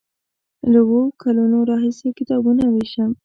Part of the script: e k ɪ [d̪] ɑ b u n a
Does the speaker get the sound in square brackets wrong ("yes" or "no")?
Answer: yes